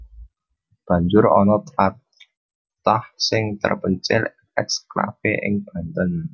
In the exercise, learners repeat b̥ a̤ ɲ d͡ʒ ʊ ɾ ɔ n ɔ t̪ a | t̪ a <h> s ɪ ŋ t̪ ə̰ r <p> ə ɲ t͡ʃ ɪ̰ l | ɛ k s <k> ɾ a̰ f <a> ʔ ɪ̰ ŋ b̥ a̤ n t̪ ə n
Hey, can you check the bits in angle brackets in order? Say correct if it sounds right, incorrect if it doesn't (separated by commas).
correct, correct, correct, incorrect